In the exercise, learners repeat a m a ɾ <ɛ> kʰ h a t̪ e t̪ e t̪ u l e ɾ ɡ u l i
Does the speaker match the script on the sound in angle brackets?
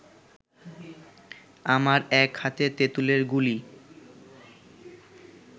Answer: yes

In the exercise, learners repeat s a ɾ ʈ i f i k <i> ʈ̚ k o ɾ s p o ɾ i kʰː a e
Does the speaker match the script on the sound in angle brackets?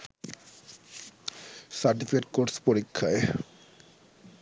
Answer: no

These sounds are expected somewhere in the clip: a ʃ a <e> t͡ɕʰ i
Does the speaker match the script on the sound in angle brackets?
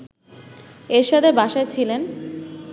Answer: yes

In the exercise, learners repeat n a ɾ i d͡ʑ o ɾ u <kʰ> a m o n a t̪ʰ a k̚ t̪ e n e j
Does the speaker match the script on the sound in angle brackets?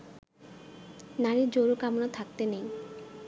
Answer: no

